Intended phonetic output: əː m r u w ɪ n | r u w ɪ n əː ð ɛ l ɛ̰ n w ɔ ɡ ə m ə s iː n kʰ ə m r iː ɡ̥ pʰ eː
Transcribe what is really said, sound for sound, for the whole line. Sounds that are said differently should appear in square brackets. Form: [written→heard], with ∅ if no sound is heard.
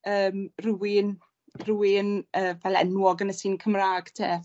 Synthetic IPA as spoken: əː m r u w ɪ n | r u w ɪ n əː [ð→v] ɛ l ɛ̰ n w ɔ ɡ ə [m→n] ə s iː n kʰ ə m r [iː→aː] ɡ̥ [pʰ→tʰ] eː